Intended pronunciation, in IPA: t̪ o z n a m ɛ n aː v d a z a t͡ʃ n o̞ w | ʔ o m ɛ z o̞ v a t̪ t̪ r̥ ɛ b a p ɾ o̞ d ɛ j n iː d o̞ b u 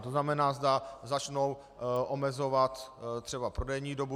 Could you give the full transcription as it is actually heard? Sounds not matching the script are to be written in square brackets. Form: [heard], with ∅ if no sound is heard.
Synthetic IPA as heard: t̪ o z n a m ɛ n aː [z] d a z a t͡ʃ n o̞ w | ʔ o m ɛ z o̞ v a t̪ t̪ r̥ ɛ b a p ɾ o̞ d ɛ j [ɲ] iː d o̞ b u